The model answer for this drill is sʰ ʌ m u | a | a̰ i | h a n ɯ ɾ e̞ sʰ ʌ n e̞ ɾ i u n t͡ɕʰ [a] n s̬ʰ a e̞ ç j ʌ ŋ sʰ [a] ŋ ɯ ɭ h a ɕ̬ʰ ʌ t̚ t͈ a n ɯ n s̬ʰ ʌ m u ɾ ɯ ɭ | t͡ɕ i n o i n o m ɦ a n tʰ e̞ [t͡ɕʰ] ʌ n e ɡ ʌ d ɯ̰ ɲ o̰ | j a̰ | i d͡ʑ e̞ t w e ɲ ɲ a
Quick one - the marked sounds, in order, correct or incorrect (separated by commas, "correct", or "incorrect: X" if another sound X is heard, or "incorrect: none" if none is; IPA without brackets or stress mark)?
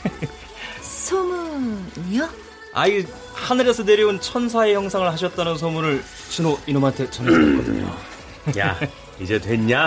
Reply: incorrect: ʌ, correct, incorrect: t͡ɕ